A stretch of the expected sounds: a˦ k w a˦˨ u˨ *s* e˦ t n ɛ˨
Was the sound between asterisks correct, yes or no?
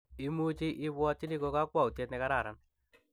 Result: no